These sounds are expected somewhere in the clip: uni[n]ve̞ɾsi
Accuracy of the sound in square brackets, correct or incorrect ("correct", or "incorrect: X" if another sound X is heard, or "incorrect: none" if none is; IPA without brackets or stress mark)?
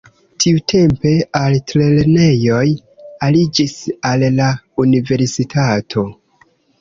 incorrect: none